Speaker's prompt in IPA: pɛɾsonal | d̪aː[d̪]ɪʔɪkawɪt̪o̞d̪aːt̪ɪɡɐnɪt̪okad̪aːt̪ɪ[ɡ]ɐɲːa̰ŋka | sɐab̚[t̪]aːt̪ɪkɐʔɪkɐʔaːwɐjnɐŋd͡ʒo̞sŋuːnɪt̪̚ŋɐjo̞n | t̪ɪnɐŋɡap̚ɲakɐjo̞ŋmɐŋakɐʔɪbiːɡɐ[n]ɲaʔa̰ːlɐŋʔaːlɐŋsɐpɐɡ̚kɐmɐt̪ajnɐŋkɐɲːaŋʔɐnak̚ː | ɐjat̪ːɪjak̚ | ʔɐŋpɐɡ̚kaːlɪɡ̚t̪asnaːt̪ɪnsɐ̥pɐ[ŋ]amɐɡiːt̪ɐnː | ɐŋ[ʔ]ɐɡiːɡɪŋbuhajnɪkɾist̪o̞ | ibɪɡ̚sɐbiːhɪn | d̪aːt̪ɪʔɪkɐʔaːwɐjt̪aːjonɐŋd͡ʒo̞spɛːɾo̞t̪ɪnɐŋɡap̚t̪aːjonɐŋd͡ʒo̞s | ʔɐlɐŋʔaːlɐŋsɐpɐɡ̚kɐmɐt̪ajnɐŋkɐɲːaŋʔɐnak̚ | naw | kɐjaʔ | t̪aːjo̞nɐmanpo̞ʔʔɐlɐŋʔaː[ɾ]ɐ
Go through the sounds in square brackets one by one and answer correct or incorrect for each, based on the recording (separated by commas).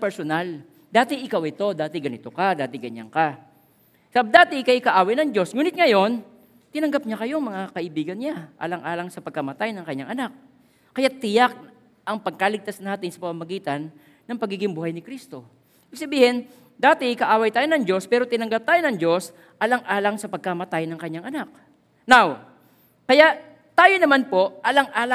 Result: incorrect, correct, incorrect, correct, incorrect, incorrect, incorrect